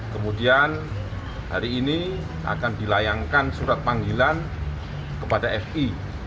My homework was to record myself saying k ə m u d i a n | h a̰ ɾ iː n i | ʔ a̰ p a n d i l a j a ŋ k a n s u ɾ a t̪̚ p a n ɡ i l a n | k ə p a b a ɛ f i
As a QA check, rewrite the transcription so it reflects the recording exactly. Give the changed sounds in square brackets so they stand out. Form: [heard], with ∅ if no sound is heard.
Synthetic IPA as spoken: k ə m u d i a n | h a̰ ɾ iː n i | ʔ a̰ [k] a n d i l a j a ŋ k a n s u ɾ a t̪̚ p a [ŋ] ɡ i l a n | k ə p a [d] a ɛ f i